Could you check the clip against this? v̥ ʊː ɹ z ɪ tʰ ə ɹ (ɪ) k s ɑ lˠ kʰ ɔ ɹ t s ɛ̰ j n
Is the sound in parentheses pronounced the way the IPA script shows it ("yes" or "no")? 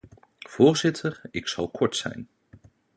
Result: yes